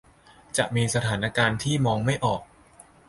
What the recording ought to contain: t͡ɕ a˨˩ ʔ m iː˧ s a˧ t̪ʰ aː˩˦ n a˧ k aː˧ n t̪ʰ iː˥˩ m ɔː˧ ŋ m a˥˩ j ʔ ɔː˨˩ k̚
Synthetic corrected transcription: t͡ɕ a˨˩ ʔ m iː˧ s a˧ t̪ʰ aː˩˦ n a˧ k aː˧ n t̪ʰ iː˥˩ m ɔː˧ ŋ m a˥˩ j ʔ ɔː˨˩ k̚